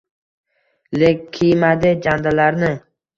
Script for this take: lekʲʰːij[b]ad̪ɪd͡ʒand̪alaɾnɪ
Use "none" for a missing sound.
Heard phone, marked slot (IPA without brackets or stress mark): m